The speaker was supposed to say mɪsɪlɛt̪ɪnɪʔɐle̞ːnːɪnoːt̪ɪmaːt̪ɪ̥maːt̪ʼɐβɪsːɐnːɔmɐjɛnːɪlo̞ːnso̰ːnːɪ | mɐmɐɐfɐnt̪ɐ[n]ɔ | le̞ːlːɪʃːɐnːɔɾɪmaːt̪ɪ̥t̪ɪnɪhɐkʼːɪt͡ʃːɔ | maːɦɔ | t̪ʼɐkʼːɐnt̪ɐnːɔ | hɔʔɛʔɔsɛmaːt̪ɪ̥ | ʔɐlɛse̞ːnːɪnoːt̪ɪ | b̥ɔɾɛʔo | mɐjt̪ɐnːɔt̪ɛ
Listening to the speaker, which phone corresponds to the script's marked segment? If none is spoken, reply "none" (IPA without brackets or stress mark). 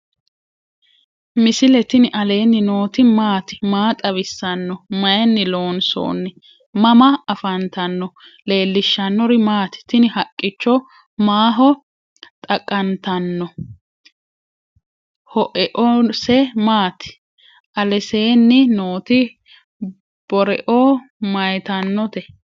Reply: nː